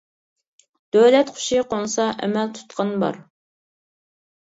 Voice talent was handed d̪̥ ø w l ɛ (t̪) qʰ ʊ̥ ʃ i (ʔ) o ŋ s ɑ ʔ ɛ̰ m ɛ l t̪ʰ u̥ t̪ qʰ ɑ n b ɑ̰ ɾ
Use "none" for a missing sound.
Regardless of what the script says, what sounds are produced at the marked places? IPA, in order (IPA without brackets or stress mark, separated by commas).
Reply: t̪, q